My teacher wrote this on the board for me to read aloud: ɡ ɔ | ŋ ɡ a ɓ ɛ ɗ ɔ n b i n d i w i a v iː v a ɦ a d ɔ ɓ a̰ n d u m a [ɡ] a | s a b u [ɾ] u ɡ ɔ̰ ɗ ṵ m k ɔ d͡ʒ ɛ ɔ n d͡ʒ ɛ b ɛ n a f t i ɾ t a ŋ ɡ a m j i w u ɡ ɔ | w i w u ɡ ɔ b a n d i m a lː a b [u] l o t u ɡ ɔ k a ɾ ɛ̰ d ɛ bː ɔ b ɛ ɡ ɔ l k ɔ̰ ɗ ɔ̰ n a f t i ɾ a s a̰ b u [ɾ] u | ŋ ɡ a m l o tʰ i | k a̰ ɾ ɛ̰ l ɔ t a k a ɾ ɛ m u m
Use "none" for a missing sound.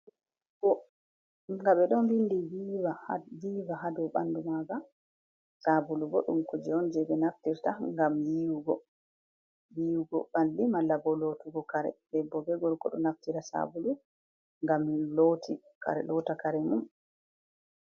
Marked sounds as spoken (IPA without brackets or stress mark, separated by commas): ɡ, l, ɔ, l